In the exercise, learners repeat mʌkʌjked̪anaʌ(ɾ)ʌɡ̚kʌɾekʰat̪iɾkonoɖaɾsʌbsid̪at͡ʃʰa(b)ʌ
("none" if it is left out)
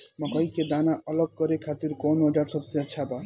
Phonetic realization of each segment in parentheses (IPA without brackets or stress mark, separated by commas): l, b